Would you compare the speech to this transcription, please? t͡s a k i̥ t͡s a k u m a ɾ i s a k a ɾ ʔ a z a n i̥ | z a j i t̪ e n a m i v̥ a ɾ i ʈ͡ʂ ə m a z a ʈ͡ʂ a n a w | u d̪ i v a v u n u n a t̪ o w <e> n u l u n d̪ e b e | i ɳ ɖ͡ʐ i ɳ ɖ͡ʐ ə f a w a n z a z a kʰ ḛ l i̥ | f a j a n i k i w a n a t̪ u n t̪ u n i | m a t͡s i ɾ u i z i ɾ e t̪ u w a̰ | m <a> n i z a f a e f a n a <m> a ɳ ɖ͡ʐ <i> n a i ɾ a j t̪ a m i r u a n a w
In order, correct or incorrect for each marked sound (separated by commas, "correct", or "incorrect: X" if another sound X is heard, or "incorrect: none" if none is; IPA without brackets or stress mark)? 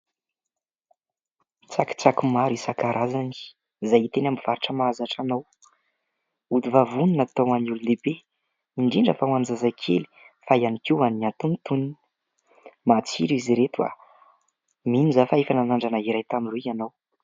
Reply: incorrect: a, incorrect: i, incorrect: n, incorrect: a